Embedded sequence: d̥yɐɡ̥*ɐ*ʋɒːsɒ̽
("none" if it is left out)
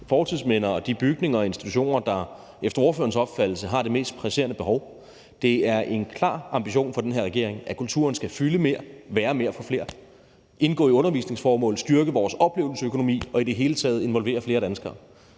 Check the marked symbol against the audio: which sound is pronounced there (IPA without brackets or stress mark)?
ə